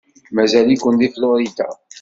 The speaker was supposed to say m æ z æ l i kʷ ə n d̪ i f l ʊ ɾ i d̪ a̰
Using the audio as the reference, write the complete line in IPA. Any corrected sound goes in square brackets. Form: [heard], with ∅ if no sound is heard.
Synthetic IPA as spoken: m æ z æ l i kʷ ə n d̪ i f l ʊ ɾ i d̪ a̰